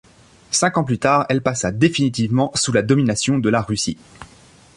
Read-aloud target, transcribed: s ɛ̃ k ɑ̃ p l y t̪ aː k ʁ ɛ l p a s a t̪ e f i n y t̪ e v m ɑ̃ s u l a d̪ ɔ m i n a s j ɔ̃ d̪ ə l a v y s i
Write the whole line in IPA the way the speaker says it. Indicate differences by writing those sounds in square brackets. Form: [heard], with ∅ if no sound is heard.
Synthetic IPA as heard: s ɛ̃ k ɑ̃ p l y t̪ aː [∅] ʁ ɛ l p a s a [d̪] e f i n [i] t̪ [i] v m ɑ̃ s u l a d̪ ɔ m i n a s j ɔ̃ d̪ ə l a [ʁ] y s i